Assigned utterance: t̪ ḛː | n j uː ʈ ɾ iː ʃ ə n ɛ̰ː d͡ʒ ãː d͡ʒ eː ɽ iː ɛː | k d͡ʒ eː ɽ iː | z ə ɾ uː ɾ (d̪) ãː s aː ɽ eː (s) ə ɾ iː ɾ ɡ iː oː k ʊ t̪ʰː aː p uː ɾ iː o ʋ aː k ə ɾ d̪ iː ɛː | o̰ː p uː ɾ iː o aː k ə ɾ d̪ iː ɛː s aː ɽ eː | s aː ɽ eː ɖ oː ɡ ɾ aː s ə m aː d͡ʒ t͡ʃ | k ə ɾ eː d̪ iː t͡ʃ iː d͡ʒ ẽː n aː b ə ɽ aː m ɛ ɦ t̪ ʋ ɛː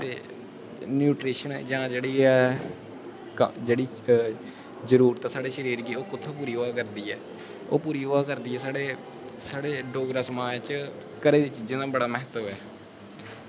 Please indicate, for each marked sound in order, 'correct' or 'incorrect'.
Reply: incorrect: t̪, incorrect: ʃ

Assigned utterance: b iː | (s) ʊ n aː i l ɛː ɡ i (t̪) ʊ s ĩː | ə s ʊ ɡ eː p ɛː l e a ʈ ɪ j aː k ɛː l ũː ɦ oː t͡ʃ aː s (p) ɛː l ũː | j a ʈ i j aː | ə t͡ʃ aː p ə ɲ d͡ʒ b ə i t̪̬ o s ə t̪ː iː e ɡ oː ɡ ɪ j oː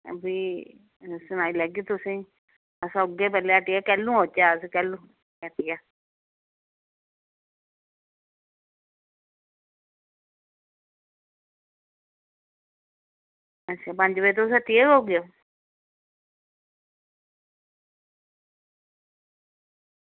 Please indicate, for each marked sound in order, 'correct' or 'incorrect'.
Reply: correct, correct, incorrect: k

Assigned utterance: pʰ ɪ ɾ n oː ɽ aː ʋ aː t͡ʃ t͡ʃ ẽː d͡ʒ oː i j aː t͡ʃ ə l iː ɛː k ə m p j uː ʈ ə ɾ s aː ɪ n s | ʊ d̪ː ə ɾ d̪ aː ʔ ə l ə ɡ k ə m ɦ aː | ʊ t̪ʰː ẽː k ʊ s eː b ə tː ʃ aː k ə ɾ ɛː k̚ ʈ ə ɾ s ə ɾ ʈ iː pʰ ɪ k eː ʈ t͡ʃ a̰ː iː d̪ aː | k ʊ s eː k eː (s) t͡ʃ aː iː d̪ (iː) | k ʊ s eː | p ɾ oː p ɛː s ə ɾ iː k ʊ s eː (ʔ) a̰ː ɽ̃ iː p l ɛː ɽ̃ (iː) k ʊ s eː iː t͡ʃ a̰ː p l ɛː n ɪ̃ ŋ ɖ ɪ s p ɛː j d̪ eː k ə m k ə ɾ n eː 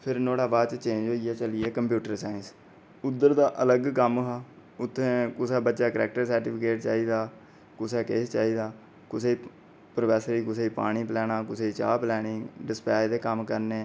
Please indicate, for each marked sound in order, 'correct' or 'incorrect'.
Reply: correct, incorrect: aː, incorrect: p, incorrect: aː

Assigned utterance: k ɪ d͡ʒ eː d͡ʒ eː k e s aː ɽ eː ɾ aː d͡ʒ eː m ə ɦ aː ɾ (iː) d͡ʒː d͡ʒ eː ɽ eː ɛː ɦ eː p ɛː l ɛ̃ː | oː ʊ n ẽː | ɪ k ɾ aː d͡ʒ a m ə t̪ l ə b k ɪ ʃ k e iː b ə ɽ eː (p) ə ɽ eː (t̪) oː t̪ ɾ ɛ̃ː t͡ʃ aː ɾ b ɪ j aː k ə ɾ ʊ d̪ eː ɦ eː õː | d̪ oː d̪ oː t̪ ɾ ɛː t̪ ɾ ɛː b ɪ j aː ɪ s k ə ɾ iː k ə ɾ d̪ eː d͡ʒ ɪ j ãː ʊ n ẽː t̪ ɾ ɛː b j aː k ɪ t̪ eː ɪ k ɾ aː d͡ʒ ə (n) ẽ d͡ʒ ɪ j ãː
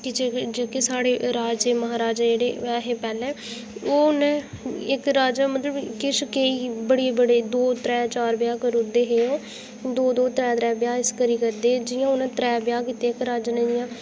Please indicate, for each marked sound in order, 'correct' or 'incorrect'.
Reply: incorrect: aː, incorrect: b, incorrect: d̪, correct

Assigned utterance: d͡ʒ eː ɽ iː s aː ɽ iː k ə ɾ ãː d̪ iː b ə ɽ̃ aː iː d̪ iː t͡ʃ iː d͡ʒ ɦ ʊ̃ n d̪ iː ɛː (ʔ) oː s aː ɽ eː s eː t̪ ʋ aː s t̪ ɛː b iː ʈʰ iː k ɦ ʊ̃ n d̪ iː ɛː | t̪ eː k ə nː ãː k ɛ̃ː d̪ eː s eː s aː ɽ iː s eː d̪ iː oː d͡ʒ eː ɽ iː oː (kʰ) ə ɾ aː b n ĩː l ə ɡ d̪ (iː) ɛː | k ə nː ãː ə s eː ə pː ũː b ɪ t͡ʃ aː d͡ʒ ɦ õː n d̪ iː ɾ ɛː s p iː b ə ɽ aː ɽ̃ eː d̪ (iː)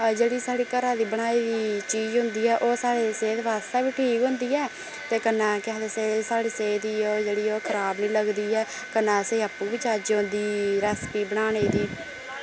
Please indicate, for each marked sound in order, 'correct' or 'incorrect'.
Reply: correct, correct, correct, correct

